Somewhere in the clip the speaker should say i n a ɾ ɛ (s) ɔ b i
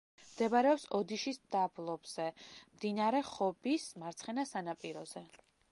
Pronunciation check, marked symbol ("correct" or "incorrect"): incorrect